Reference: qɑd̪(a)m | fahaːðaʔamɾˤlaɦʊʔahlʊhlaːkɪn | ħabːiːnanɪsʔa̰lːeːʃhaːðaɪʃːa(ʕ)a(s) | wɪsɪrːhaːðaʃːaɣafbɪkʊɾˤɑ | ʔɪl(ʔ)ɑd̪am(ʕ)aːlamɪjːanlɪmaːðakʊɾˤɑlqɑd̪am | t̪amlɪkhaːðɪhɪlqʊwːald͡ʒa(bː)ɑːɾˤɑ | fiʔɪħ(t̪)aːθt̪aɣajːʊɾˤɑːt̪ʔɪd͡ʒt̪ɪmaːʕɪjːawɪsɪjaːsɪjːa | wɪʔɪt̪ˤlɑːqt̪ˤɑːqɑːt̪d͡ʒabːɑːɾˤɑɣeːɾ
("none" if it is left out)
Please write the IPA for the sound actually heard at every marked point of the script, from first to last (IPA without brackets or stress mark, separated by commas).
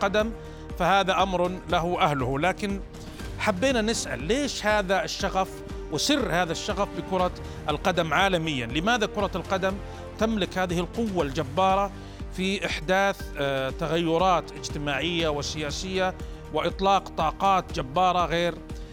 a, ɣ, f, q, ʕ, bː, d̪